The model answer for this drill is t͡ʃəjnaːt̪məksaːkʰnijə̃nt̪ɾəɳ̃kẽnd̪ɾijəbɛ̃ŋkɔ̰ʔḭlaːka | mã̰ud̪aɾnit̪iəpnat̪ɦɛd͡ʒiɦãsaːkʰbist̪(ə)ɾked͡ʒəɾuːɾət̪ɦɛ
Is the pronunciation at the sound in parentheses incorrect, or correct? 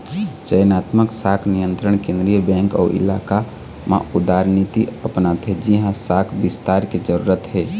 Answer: incorrect